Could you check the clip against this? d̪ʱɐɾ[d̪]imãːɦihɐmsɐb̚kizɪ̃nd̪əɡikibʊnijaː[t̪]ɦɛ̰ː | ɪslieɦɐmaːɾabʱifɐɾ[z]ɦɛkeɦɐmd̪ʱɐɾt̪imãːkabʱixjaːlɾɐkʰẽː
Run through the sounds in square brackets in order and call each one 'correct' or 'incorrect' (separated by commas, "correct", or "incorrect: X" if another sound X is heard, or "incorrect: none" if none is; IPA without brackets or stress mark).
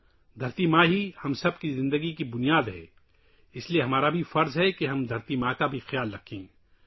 incorrect: t̪, incorrect: d̪, correct